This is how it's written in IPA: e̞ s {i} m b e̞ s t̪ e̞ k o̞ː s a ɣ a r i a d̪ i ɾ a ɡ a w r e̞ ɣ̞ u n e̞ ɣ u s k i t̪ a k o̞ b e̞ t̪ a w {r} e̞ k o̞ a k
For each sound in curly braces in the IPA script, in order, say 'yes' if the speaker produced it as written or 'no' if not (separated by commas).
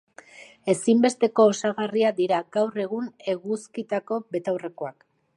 yes, yes